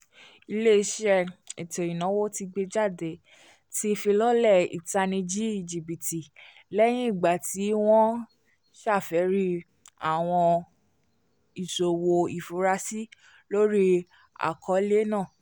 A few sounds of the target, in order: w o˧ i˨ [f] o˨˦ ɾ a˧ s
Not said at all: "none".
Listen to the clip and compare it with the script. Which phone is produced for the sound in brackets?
f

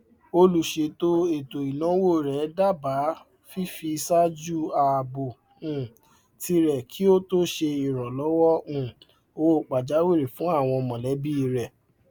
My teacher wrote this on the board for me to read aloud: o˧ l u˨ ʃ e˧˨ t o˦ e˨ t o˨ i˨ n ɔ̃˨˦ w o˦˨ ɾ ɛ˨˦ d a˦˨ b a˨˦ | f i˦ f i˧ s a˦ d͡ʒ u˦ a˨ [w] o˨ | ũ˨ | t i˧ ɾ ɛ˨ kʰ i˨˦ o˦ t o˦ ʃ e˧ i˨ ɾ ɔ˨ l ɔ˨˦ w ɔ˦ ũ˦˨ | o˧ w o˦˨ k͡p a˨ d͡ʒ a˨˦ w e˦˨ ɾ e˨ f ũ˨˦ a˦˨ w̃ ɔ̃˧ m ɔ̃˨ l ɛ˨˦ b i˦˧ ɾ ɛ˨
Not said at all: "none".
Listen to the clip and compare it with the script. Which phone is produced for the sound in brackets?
b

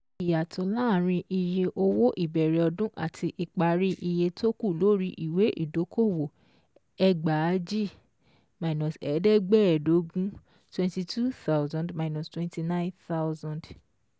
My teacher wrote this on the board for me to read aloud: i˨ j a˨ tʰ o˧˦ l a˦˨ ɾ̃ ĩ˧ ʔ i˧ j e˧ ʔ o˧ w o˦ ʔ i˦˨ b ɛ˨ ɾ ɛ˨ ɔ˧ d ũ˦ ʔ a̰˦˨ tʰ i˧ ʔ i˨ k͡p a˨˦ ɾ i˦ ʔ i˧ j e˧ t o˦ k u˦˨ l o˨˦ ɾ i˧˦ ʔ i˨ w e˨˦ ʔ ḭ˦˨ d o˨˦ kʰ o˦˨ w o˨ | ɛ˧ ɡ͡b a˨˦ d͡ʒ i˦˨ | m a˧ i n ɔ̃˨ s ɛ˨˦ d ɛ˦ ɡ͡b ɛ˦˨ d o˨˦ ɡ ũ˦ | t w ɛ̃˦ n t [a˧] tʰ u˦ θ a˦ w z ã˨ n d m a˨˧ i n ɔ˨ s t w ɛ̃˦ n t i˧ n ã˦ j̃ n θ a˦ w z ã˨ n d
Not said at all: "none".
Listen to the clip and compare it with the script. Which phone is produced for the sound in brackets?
i˧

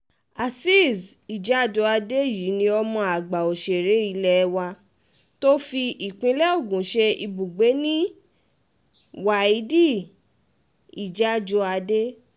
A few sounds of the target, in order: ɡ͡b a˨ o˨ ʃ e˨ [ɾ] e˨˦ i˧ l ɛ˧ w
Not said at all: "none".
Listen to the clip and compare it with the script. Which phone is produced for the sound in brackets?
ɾ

